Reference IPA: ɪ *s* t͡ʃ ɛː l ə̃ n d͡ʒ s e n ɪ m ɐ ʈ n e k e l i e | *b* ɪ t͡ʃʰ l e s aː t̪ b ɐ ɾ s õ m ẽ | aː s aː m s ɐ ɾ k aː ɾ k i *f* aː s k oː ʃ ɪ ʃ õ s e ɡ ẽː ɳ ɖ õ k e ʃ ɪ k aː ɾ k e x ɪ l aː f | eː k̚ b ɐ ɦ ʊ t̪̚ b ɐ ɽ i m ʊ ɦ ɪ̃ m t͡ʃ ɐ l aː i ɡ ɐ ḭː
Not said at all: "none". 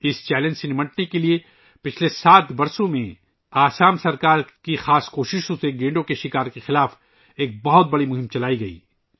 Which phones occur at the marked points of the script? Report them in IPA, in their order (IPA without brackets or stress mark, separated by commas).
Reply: s, p, x